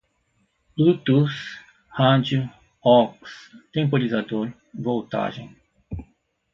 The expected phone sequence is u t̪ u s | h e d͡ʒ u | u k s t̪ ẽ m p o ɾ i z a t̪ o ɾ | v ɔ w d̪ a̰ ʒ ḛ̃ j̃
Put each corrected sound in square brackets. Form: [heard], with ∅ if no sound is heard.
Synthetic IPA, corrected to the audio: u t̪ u s | h [a] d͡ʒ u | [ɔ] k s t̪ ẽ m p o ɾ i z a [d̪] o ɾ | v [o] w [t̪] a̰ ʒ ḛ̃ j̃